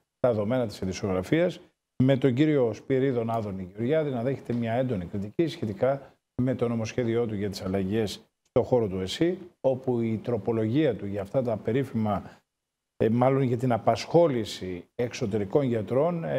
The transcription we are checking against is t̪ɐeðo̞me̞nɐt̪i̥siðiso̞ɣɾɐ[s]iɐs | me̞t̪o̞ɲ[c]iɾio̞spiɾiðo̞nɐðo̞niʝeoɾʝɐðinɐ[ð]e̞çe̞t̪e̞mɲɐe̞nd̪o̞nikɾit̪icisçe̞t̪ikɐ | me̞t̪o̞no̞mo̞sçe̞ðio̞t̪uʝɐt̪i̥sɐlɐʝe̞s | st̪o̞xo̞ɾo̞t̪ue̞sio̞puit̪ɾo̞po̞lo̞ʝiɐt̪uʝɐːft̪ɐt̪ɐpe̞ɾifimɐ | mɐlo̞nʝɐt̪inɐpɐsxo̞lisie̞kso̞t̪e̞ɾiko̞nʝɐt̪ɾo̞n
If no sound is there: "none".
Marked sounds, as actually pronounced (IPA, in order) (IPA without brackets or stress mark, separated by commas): f, ɟ, ð